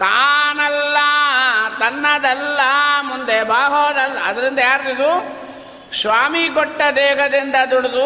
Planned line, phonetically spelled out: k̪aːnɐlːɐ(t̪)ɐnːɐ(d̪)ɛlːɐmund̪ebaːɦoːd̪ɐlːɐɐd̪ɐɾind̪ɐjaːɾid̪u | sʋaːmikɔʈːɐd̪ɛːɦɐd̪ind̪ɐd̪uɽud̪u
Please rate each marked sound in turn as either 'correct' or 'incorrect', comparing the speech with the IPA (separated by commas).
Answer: correct, correct